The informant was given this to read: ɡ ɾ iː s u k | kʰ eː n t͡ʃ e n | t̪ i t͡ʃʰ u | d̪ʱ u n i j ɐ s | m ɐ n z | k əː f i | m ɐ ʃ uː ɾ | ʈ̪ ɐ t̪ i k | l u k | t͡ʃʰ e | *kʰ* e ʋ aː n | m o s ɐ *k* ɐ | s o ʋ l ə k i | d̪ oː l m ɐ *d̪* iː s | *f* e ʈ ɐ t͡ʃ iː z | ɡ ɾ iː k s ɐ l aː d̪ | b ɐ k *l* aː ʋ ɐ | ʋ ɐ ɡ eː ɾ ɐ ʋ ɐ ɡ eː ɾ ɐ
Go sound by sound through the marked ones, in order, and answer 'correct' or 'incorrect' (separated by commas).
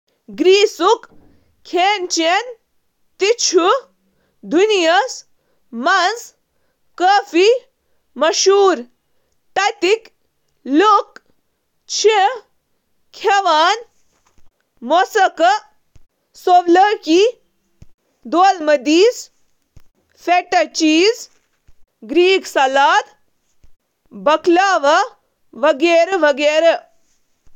correct, correct, correct, correct, correct